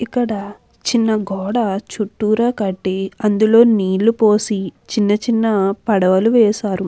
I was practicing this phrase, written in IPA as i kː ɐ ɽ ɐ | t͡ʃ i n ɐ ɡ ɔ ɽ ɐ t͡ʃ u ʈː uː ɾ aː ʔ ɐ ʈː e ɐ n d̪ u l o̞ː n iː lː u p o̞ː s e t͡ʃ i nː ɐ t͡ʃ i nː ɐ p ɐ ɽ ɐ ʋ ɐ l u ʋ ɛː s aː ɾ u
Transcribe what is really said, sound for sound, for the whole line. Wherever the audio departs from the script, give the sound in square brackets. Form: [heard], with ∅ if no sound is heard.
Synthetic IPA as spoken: i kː ɐ ɽ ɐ | t͡ʃ i [nː] ɐ ɡ [ɔː] ɽ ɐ t͡ʃ u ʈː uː ɾ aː [k] ɐ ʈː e ɐ n d̪ u l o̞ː n iː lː u p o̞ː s [i] t͡ʃ i nː ɐ t͡ʃ i nː ɐ p ɐ ɽ ɐ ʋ ɐ l u ʋ ɛː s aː ɾ u